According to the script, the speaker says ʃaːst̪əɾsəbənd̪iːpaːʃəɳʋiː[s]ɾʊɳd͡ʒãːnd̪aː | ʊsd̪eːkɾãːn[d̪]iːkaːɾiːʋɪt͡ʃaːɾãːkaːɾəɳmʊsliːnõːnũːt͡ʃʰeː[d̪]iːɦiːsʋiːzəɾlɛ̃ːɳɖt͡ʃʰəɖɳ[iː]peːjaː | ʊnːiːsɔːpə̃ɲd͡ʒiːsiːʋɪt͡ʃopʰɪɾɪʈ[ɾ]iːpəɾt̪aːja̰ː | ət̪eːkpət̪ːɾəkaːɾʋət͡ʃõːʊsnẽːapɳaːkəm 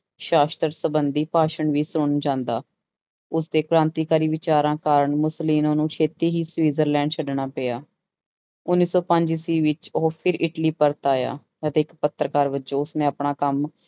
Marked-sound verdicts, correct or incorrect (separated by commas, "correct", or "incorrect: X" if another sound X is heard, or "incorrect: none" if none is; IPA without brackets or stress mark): correct, incorrect: t̪, incorrect: t̪, incorrect: aː, incorrect: l